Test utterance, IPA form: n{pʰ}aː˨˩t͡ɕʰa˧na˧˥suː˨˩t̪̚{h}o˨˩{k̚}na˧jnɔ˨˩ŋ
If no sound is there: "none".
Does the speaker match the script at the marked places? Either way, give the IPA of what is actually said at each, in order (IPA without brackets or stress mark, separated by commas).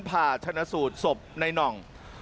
pʰ, s, p̚